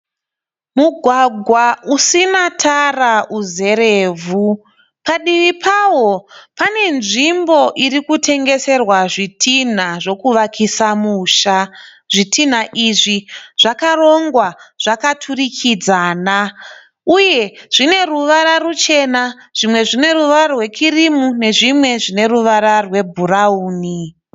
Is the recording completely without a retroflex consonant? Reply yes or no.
no